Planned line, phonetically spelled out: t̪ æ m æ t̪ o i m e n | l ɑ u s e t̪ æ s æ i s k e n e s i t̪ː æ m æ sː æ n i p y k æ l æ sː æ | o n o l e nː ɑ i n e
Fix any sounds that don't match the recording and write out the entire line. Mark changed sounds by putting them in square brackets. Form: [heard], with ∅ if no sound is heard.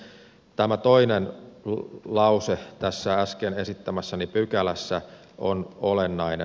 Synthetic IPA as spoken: t̪ æ m æ t̪ o i [n] e n | l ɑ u s e t̪ æ [sː] æ [æ] s k e n e s i t̪ː æ m æ sː æ n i p y k æ l æ sː æ | o n o l e nː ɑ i n e